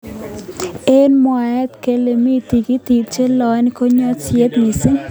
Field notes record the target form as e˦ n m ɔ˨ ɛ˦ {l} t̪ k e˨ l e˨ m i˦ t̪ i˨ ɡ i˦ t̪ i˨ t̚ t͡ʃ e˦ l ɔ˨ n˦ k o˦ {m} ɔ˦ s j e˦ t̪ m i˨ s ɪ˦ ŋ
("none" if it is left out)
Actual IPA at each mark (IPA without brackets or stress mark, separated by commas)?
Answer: none, ɲ